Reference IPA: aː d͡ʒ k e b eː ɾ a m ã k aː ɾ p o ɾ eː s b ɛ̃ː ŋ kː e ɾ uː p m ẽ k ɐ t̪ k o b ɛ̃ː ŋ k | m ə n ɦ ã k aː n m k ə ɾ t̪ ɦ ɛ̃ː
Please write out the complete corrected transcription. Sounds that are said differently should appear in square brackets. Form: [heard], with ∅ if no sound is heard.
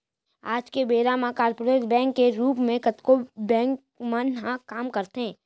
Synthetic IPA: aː d͡ʒ k e b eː ɾ a m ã k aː ɾ p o ɾ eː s b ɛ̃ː ŋ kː e ɾ uː p m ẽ k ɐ t̪ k o b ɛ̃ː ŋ k | m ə n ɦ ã k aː [∅] m k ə ɾ t̪ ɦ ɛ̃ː